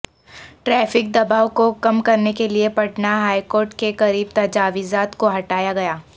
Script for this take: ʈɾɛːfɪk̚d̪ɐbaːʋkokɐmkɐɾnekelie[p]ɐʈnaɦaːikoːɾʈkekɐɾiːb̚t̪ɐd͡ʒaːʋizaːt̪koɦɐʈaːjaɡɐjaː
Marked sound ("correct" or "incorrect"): correct